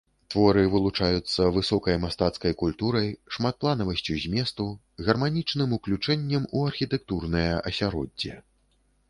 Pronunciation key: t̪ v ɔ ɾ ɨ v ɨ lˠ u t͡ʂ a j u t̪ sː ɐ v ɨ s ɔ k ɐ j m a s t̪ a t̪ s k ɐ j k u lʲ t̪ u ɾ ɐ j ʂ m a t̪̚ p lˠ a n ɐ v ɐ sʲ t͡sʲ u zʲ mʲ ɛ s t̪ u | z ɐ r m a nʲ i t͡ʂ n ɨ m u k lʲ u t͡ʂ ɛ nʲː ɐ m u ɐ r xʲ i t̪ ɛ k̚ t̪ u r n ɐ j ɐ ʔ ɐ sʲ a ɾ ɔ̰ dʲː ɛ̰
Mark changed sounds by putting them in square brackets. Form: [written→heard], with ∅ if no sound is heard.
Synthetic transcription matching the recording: t̪ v ɔ ɾ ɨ v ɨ lˠ u t͡ʂ a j u t̪ sː ɐ v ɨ s ɔ k ɐ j m a s t̪ a t̪ s k ɐ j k u lʲ t̪ u ɾ ɐ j ʂ m a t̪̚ p lˠ a n ɐ v ɐ sʲ t͡sʲ u zʲ mʲ ɛ s t̪ u | [z→ɣ] ɐ r m a nʲ i t͡ʂ n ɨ m u k lʲ u t͡ʂ ɛ nʲː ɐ m u ɐ r xʲ i t̪ ɛ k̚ t̪ u r n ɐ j ɐ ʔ ɐ sʲ a ɾ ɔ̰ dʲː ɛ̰

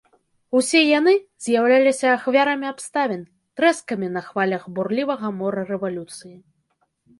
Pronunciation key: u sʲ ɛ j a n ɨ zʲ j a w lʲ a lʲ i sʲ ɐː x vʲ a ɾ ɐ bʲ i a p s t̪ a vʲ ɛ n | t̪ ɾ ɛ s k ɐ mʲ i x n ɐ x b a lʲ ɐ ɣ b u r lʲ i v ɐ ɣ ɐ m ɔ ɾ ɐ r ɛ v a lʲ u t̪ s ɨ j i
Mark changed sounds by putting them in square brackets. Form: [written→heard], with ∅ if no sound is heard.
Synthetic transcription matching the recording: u sʲ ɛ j a n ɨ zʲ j a w lʲ a lʲ i sʲ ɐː x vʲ a ɾ ɐ [bʲ→mʲ] i a p s t̪ a vʲ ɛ n | t̪ ɾ ɛ s k ɐ mʲ i [x→∅] n ɐ x [b→v] a lʲ ɐ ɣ b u r lʲ i v ɐ ɣ ɐ m ɔ ɾ ɐ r ɛ v a lʲ u t̪ s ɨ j i

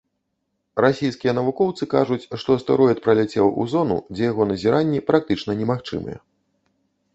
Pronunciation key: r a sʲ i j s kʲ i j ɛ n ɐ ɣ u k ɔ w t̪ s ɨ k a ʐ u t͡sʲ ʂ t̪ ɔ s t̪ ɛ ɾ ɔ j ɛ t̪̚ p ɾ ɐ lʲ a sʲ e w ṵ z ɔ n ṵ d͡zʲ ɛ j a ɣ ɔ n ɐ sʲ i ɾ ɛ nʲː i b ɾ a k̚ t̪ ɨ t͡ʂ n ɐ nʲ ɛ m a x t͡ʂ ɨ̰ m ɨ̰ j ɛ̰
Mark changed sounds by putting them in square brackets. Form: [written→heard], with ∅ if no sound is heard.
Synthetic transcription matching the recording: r a sʲ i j s kʲ i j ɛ n ɐ [ɣ→v] u k ɔ w t̪ s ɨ k a ʐ u t͡sʲ ʂ t̪ ɔ s t̪ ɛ ɾ ɔ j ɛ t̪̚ p ɾ ɐ lʲ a [sʲ→t͡sʲ] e w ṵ z ɔ n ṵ d͡zʲ ɛ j a ɣ ɔ n ɐ [sʲ→zʲ] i ɾ [ɛ→a] nʲː i [b→p] ɾ a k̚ t̪ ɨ t͡ʂ n ɐ nʲ ɛ m a x t͡ʂ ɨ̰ m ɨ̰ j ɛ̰

